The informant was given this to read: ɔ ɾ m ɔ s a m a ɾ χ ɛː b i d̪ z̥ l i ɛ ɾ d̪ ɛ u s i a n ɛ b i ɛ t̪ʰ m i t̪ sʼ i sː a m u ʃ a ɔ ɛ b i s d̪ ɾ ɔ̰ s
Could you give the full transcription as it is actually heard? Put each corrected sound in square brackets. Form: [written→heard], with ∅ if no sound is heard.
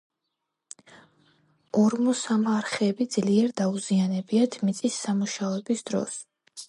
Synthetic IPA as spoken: ɔ ɾ m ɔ s a m a ɾ χ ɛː b i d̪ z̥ l i ɛ ɾ d̪ [ɛ→a] u [s→z] i a n ɛ b i [ɛ→a] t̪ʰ m i t̪ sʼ i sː a m u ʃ a ɔ ɛ b i s d̪ ɾ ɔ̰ s